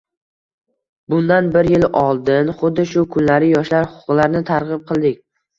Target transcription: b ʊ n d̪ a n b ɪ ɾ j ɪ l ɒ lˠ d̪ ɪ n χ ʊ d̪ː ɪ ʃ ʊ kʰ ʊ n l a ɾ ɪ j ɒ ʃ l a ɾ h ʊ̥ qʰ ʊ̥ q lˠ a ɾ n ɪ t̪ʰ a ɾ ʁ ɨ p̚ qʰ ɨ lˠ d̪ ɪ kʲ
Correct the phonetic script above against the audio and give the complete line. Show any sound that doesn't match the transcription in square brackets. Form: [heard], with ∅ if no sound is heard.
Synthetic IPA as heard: b ʊ n d̪ a n b ɪ ɾ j ɪ l ɒ lˠ d̪ ɪ n χ ʊ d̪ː ɪ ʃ ʊ kʰ ʊ n l a ɾ ɪ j ɒ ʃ l a ɾ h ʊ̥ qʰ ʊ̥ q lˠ a ɾ n ɪ t̪ʰ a ɾ ʁ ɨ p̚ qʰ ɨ lˠ d̪ ɪ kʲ